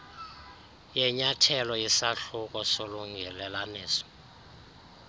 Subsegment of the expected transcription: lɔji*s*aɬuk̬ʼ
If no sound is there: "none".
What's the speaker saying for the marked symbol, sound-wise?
s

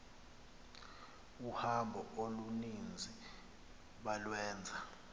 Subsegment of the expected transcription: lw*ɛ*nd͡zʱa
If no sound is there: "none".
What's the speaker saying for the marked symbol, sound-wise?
ɛː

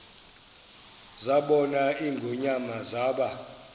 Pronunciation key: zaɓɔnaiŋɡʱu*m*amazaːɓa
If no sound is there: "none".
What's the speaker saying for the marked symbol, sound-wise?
ɲ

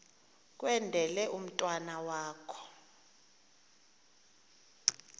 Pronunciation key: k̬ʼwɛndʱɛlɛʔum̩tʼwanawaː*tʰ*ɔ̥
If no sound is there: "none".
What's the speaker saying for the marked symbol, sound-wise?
kʰ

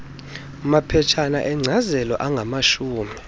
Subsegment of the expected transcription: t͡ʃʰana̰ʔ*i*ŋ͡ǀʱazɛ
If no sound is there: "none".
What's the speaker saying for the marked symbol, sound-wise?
ɛ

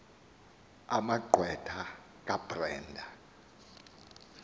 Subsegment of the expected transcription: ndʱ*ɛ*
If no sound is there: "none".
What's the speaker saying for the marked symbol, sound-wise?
a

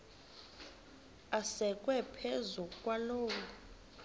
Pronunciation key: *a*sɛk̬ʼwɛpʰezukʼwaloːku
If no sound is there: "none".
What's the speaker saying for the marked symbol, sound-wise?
a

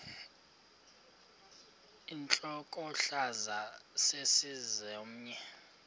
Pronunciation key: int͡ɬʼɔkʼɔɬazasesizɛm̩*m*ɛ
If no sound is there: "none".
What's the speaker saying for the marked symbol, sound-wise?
ɲ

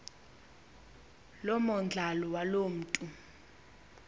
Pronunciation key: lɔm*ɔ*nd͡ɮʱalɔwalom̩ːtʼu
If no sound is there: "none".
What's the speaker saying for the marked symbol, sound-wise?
ɔ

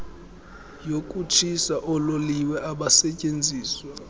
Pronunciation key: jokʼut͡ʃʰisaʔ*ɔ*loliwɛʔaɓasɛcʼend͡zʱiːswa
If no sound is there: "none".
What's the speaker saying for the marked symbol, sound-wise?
ɔ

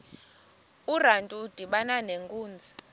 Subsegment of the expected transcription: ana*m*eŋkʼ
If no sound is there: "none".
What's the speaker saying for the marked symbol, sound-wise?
n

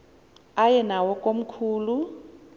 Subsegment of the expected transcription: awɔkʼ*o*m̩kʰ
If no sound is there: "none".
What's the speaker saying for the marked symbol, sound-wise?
o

